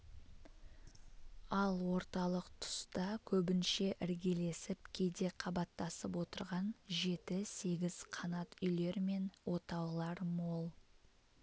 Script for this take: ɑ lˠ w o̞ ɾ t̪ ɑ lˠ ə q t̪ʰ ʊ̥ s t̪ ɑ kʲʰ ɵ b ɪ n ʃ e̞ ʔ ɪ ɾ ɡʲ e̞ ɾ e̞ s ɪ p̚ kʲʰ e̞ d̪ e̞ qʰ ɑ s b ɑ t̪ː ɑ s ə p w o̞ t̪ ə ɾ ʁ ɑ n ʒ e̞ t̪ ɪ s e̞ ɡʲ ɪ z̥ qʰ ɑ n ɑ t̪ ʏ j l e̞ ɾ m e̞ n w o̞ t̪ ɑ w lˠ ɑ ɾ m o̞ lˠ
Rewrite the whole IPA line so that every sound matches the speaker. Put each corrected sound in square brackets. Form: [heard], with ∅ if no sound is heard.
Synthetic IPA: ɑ lˠ w o̞ ɾ t̪ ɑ lˠ ə q t̪ʰ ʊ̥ s t̪ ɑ kʲʰ ɵ b ɪ n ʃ e̞ ʔ ɪ ɾ ɡʲ e̞ [l] e̞ s ɪ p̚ kʲʰ e̞ d̪ e̞ qʰ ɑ [∅] b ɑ t̪ː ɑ s ə p w o̞ t̪ ə ɾ ʁ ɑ n ʒ e̞ t̪ ɪ s e̞ ɡʲ ɪ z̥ qʰ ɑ n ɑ t̪ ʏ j l e̞ ɾ m e̞ n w o̞ t̪ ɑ w lˠ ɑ ɾ m o̞ lˠ